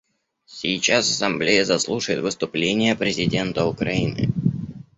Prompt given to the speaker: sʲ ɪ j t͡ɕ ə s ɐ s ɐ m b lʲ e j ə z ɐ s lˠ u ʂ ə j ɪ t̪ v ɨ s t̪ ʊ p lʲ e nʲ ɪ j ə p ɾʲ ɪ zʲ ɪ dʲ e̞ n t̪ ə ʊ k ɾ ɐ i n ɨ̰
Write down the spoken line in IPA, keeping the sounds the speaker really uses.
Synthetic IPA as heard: sʲ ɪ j t͡ɕ a s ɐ s ɐ m b lʲ e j ə z ɐ s lˠ u ʂ ə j ɪ t̪ v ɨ s t̪ ʊ p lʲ e nʲ ɪ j ə p ɾʲ ɪ zʲ ɪ dʲ e̞ n t̪ ə ʊ k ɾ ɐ i n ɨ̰